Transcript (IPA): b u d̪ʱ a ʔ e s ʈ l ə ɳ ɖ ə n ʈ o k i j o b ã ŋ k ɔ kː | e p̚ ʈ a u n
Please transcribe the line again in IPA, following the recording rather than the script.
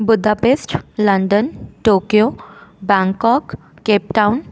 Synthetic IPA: b u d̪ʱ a p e s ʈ l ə ɳ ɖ ə n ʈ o k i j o b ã ŋ k ɔ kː | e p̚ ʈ a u n

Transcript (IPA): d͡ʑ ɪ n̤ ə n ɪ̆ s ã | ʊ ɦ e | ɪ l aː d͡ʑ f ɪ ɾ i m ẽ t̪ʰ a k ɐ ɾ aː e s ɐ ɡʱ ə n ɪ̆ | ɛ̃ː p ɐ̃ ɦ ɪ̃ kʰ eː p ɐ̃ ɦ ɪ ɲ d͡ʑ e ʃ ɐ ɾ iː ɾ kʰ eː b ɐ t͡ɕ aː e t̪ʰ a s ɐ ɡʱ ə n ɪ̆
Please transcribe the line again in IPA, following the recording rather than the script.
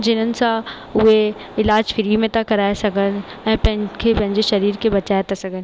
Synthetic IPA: d͡ʑ ɪ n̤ ə n ɪ̆ s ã | ʊ ɦ e | ɪ l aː d͡ʑ f ɪ ɾ i m ẽ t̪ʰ a k ɐ ɾ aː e s ɐ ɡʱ ə n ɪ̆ | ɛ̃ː p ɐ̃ ɦ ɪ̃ kʰ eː p ɐ̃ ɦ ɪ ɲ d͡ʑ e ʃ ɐ ɾ iː ɾ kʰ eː b ɐ t͡ɕ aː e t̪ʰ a s ɐ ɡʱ ə n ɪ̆

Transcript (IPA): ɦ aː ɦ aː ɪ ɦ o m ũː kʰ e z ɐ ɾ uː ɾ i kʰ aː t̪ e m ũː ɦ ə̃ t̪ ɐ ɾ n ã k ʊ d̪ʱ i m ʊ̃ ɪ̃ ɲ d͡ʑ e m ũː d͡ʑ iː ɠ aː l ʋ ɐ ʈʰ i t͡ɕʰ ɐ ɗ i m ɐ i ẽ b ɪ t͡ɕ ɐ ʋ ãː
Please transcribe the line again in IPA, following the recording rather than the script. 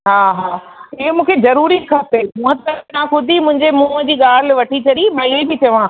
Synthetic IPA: ɦ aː ɦ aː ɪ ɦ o m ũː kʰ e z ɐ ɾ uː ɾ i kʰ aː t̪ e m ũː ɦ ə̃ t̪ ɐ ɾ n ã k ʊ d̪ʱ i m ʊ̃ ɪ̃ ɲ d͡ʑ e m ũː d͡ʑ iː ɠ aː l ʋ ɐ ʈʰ i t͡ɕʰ ɐ ɗ i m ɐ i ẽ b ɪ t͡ɕ ɐ ʋ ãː

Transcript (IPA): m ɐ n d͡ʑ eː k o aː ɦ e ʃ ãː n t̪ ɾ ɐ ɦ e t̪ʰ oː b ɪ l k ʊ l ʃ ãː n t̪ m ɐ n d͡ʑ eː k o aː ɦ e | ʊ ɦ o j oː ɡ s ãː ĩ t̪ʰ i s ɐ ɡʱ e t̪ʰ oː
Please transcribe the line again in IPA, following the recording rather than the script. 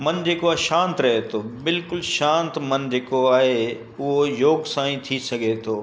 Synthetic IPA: m ɐ n d͡ʑ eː k o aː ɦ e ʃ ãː n t̪ ɾ ɐ ɦ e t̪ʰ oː b ɪ l k ʊ l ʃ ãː n t̪ m ɐ n d͡ʑ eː k o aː ɦ e | ʊ ɦ o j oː ɡ s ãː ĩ t̪ʰ i s ɐ ɡʱ e t̪ʰ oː

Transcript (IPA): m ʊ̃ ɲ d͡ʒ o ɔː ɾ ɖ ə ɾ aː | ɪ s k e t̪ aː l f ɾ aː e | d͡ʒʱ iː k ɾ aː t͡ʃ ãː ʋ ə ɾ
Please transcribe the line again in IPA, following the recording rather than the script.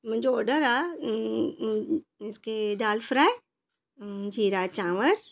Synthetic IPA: m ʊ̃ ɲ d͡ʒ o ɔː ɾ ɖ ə ɾ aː | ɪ s k e d̪ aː l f ɾ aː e | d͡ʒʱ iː ɾ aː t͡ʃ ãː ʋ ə ɾ

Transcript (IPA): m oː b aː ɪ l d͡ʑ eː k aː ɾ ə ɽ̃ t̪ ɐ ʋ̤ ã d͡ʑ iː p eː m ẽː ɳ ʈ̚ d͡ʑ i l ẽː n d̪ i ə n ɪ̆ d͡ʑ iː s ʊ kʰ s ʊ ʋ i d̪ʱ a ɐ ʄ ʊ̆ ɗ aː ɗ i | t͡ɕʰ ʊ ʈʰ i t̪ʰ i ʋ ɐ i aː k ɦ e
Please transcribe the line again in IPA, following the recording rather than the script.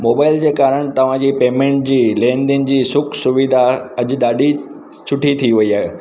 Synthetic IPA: m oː b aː ɪ l d͡ʑ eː k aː ɾ ə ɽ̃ t̪ ɐ ʋ̤ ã d͡ʑ iː p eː m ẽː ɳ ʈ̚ d͡ʑ iː l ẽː n d̪ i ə n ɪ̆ d͡ʑ iː s ʊ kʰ s ʊ ʋ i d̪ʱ a ɐ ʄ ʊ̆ ɗ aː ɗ i | t͡ɕʰ ʊ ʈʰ i t̪ʰ i ʋ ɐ i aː ɦ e

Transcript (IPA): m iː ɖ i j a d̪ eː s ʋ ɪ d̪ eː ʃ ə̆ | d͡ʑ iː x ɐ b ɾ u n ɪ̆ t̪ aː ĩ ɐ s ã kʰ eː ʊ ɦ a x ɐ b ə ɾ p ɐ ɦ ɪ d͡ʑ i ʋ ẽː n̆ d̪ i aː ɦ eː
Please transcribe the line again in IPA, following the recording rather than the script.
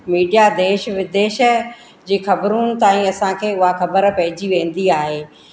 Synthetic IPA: m iː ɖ i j a d̪ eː ʃ ʋ ɪ d̪ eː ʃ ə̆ | d͡ʑ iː x ɐ b ɾ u n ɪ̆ t̪ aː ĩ ɐ s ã kʰ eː ʊ ɦ a x ɐ b ə ɾ p ɐ ɦ ɪ d͡ʑ i ʋ ẽː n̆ d̪ i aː ɦ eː

